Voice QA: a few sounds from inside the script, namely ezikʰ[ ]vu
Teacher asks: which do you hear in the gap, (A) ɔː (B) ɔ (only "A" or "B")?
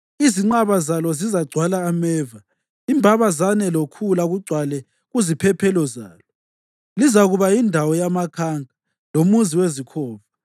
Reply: A